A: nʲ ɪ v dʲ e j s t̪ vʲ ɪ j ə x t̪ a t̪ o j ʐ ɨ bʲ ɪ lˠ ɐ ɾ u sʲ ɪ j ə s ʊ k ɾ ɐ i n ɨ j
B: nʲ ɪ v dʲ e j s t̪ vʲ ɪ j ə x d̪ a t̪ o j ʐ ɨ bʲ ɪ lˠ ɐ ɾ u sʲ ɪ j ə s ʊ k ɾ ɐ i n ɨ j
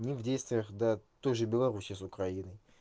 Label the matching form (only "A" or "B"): B